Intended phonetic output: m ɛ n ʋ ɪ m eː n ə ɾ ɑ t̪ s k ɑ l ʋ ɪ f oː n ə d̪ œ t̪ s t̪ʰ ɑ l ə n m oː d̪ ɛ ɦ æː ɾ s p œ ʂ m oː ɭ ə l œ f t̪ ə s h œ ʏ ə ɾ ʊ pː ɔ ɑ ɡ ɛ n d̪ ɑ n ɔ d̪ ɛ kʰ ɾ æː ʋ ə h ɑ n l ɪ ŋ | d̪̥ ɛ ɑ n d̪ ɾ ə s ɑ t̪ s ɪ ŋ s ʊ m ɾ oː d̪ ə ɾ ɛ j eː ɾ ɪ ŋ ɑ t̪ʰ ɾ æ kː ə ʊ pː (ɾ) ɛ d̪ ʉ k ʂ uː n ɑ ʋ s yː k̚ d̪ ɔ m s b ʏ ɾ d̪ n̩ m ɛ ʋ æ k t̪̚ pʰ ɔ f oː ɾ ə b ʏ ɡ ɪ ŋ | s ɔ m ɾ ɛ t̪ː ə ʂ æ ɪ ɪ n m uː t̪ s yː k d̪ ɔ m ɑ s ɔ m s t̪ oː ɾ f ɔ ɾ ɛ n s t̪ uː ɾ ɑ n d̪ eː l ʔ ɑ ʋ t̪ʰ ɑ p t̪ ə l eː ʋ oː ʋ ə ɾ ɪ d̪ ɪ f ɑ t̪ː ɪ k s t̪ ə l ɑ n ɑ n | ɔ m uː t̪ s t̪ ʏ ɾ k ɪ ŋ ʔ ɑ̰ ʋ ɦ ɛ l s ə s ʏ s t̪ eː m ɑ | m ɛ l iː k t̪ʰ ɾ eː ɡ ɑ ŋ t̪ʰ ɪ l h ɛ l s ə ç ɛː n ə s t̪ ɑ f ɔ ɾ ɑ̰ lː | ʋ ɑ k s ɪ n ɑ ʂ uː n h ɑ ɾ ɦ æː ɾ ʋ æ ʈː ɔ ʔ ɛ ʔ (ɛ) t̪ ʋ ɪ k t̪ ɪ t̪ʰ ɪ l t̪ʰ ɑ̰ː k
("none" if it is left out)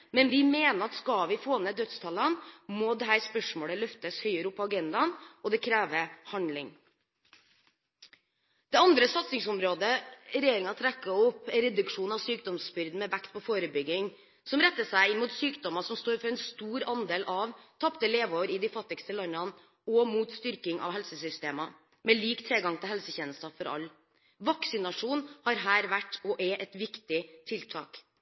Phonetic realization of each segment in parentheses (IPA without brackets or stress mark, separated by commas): ɾ, ɛ